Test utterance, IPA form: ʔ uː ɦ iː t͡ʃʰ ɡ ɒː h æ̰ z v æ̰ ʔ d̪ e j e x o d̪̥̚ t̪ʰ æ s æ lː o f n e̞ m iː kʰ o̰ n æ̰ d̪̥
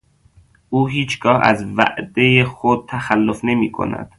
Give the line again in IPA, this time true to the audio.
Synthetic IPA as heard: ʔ uː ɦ iː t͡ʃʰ ɡ ɒː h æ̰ z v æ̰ ʔ d̪ e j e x o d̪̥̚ t̪ʰ æ x æ lː o f n e̞ m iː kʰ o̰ n æ̰ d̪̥